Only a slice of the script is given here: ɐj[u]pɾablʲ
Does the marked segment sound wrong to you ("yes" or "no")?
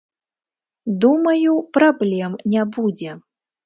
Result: no